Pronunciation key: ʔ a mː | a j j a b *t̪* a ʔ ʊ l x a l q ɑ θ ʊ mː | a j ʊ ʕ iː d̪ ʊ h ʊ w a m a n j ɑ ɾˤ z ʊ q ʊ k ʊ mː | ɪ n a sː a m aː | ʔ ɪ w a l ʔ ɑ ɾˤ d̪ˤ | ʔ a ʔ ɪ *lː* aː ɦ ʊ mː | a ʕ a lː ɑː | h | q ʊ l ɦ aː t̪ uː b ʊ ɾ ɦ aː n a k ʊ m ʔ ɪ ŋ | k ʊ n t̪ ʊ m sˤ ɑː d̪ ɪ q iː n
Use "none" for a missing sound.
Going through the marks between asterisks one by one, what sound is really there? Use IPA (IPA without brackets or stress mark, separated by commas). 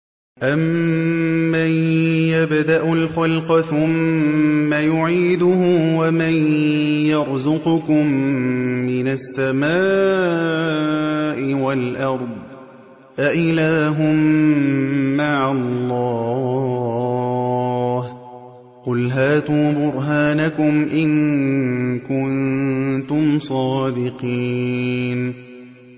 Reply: d̪, l